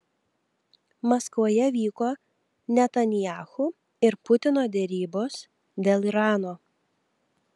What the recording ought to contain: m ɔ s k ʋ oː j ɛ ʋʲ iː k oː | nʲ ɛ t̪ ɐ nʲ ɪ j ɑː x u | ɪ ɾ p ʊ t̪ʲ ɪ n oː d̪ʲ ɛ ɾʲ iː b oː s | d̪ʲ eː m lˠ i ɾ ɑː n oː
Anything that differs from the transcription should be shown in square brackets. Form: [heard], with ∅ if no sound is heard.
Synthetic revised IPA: m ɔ s k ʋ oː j ɛ ʋʲ iː k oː | nʲ ɛ t̪ ɐ nʲ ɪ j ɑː x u | ɪ ɾ p ʊ t̪ʲ ɪ n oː d̪ʲ ɛ ɾʲ iː b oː s | d̪ʲ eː [∅] lˠ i ɾ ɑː n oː

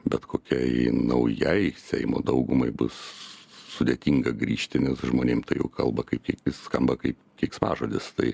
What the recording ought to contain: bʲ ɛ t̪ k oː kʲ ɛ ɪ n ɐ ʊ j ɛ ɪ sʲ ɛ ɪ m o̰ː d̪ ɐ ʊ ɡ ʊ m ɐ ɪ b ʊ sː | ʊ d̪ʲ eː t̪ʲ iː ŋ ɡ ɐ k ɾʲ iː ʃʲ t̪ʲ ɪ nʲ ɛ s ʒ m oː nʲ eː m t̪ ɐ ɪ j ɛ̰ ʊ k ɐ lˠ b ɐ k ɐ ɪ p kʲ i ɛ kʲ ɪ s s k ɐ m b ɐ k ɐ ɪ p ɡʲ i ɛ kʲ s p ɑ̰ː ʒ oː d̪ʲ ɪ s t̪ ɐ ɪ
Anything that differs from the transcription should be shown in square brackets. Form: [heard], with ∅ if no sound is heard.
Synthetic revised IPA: bʲ ɛ t̪ k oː kʲ ɛ ɪ n ɐ ʊ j ɛ ɪ sʲ ɛ ɪ m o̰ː d̪ ɐ ʊ ɡ ʊ m ɐ ɪ b ʊ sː | ʊ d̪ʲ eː t̪ʲ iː ŋ ɡ ɐ [ɡ] ɾʲ iː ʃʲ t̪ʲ ɪ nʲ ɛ s ʒ m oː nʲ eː m t̪ ɐ ɪ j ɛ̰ ʊ k ɐ lˠ b ɐ k ɐ ɪ p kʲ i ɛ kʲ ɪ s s k ɐ m b ɐ k ɐ ɪ p [kʲ] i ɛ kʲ s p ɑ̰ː ʒ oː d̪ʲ ɪ s t̪ ɐ ɪ

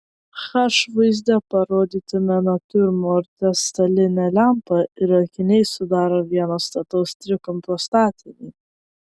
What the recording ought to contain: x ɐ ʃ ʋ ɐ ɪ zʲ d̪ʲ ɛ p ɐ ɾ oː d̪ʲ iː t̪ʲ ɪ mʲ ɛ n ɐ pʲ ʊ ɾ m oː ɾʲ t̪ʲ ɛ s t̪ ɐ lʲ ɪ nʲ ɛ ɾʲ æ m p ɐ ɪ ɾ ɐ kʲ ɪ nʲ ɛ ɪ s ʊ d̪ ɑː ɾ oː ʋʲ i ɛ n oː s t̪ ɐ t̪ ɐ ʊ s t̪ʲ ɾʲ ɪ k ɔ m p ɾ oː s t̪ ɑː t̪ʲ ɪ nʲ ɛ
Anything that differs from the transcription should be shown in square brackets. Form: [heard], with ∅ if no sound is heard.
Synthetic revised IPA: x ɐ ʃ ʋ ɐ ɪ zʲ d̪ʲ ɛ p ɐ ɾ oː d̪ʲ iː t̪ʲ ɪ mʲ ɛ n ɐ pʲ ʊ ɾ m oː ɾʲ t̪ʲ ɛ s t̪ ɐ lʲ ɪ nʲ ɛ [lʲ] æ m p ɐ ɪ ɾ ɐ kʲ ɪ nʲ ɛ ɪ s ʊ d̪ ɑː ɾ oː ʋʲ i ɛ n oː s t̪ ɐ t̪ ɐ ʊ s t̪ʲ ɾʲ ɪ k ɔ m p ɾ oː s t̪ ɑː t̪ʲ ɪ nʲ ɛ

